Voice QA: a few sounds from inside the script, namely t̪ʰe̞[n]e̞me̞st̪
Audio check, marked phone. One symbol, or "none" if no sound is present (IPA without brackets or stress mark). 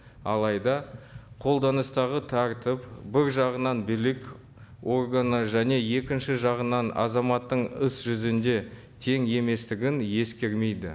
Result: ŋ